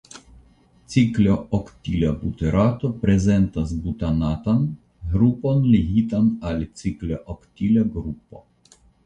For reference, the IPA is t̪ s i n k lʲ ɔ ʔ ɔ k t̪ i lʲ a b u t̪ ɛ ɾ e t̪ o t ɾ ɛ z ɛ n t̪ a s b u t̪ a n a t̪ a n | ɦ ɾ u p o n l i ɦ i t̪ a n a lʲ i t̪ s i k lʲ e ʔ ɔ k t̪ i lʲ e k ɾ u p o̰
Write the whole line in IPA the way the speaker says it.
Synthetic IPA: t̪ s i k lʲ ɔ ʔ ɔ k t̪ i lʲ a b u t̪ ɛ ɾ a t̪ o p ɾ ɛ z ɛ n t̪ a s b u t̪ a n a t̪ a n | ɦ ɾ u p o n l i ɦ i t̪ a n a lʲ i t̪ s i k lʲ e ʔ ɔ k t̪ i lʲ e ɡ ɾ u p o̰